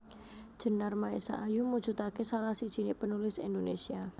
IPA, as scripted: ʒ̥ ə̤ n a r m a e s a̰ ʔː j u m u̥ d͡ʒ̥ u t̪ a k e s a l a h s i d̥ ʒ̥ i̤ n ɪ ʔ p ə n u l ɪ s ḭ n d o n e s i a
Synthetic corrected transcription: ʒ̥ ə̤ n a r m a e s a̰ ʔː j u m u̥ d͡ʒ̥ u t̪ a k e s a l a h s i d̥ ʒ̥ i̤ n ɪ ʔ p ə n u l ɪ s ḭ n d o n e s i a